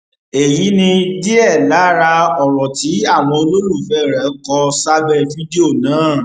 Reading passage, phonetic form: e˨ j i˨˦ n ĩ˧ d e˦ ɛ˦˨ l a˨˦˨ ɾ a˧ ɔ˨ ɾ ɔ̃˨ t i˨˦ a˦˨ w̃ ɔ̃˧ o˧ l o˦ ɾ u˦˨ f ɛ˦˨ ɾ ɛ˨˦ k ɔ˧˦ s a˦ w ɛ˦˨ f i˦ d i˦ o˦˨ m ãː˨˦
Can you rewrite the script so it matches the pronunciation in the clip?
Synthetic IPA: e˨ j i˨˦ n ĩ˧ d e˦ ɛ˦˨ l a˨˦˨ ɾ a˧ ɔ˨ ɾ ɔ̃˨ t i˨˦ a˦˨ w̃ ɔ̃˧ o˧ l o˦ ɾ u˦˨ f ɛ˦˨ ɾ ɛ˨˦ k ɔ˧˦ s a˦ b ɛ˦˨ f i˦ d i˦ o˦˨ n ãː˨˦